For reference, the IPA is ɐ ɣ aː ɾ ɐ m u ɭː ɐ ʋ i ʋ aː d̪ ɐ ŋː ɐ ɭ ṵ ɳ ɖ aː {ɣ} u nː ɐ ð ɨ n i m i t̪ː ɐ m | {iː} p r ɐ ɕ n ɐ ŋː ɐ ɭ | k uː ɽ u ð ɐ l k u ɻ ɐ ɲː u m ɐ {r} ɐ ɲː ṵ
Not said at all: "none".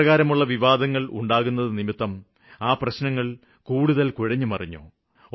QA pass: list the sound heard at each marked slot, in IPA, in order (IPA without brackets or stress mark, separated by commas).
ɣ, aː, r